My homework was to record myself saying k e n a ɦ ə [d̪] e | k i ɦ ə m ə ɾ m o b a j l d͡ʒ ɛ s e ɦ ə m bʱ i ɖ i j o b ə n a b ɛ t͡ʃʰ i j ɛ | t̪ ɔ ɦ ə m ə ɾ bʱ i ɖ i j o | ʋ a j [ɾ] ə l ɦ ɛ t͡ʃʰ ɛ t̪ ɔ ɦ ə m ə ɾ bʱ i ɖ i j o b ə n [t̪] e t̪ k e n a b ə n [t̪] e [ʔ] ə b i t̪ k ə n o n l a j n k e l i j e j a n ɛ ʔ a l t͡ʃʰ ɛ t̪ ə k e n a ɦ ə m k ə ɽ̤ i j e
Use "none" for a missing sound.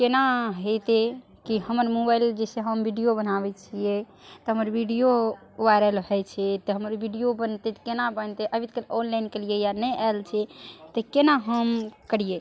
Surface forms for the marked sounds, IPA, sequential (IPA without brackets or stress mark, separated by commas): t̪, ɾ, t̪, t̪, ʔ